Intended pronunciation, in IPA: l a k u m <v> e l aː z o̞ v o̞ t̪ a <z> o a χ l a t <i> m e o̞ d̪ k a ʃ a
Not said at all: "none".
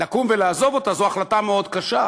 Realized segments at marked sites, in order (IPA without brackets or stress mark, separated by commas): v, z, a